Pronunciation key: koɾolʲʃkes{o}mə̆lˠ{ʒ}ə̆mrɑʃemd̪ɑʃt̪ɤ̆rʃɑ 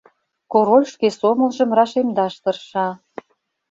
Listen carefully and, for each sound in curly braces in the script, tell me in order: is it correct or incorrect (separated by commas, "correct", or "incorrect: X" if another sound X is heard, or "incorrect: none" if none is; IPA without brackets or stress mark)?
correct, correct